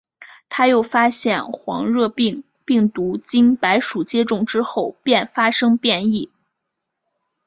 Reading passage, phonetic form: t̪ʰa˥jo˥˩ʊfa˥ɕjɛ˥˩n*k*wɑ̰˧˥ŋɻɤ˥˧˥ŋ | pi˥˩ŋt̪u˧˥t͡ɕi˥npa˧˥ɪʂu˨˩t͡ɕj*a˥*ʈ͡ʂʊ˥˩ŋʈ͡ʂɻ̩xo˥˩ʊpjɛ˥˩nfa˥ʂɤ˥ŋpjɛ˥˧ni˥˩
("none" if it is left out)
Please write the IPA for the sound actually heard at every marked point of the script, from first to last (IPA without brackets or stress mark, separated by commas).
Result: x, ɛ˥